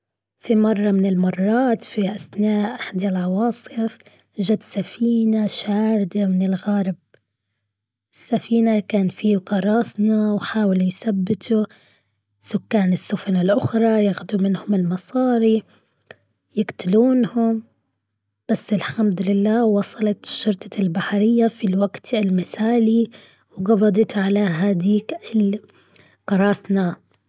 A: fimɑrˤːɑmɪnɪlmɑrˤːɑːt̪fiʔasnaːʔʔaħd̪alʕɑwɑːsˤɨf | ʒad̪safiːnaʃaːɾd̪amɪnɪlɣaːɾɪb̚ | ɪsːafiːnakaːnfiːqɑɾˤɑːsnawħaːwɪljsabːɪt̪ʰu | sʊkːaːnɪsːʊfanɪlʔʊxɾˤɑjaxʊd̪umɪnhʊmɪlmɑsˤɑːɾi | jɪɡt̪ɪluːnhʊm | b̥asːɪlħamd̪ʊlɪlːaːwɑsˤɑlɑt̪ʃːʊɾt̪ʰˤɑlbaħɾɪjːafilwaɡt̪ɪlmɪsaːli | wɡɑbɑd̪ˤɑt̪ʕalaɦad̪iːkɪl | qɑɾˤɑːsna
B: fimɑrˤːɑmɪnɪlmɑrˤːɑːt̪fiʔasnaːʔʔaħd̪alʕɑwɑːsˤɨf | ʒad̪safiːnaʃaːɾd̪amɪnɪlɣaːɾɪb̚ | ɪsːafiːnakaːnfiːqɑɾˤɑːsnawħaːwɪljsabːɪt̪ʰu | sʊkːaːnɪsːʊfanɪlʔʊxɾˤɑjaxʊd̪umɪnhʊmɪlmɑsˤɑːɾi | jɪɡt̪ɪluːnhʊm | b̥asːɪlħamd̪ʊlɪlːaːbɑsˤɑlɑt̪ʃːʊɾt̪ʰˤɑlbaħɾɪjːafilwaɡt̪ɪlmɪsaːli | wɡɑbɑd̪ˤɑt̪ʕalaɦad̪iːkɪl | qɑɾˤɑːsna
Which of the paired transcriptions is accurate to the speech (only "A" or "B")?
A